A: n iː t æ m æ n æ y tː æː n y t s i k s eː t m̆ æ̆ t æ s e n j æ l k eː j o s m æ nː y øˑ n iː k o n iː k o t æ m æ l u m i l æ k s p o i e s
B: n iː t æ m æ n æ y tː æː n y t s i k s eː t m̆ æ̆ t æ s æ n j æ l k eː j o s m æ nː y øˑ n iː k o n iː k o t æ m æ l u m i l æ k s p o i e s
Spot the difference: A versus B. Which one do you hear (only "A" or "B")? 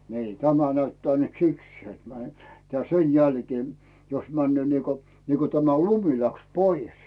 A